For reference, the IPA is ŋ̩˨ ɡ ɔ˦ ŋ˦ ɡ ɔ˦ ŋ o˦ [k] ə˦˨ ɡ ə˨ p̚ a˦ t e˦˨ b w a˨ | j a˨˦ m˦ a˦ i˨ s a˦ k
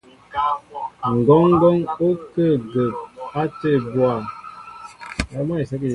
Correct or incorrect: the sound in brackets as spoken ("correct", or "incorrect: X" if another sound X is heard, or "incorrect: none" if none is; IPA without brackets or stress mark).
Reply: correct